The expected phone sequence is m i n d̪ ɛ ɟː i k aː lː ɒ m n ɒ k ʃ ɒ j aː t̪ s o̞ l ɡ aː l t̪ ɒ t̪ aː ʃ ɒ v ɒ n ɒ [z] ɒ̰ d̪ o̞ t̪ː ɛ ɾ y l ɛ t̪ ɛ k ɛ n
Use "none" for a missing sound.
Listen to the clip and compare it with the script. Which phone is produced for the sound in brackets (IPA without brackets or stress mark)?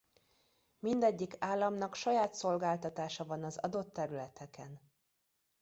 z